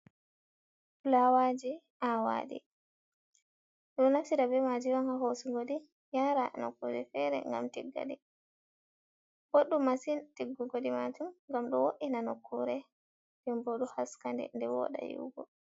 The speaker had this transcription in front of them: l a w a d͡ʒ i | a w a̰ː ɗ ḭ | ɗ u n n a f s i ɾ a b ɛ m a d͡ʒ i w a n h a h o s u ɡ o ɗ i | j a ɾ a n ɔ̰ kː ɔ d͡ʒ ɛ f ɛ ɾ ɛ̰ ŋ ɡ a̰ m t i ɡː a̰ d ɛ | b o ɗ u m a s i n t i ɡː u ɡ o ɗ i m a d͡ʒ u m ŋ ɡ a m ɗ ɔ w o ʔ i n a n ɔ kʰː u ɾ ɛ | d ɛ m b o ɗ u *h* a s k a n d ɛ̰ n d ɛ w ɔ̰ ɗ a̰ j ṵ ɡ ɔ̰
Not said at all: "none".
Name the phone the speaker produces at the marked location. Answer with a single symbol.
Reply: h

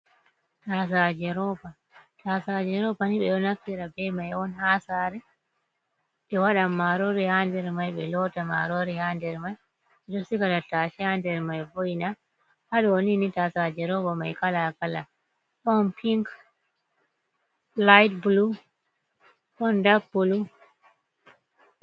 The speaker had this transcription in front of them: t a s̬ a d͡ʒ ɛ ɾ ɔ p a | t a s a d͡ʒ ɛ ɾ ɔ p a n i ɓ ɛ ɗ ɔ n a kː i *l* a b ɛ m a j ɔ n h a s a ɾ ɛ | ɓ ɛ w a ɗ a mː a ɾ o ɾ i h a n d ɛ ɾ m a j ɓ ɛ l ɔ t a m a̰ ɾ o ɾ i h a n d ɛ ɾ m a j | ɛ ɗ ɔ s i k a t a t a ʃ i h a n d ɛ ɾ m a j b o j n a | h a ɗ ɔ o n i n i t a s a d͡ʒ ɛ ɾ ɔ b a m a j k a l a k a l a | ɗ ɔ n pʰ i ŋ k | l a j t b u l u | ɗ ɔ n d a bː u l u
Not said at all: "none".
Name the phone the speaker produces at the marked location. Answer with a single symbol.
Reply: ɾ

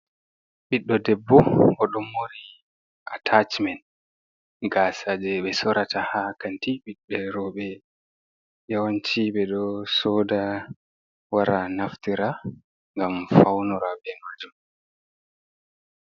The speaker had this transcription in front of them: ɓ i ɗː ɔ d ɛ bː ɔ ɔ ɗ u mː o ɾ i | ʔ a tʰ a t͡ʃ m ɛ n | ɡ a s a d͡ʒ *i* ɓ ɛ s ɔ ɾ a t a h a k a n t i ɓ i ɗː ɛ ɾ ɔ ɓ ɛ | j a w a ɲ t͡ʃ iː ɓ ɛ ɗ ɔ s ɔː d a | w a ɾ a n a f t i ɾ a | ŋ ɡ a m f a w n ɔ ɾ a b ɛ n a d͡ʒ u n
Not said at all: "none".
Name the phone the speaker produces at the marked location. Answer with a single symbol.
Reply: ɛ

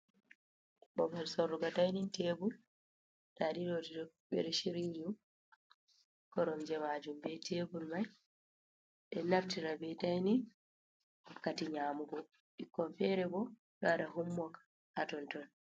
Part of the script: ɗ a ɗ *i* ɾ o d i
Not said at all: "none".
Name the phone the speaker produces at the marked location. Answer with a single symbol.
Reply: i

